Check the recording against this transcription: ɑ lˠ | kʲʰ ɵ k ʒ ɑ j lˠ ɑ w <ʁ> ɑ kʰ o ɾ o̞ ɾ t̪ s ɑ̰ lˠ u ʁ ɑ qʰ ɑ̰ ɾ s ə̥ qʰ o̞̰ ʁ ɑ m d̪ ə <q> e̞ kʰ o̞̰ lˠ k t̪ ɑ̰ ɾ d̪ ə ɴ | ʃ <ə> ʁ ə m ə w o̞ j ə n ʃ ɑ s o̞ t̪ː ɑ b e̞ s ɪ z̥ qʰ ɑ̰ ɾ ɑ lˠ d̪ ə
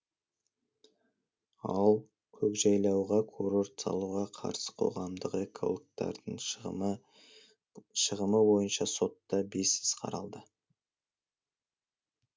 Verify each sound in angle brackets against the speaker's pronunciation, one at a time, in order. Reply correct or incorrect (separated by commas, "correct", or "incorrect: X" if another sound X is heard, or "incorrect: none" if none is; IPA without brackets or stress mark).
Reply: correct, correct, correct